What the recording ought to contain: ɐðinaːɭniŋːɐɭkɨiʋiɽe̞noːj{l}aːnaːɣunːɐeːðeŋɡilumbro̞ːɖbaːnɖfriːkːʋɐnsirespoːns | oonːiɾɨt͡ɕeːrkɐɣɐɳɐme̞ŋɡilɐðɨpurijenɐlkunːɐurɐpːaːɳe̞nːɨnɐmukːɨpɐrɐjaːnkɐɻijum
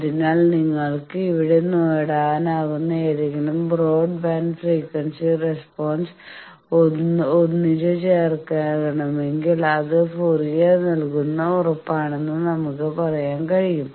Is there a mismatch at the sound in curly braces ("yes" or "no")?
yes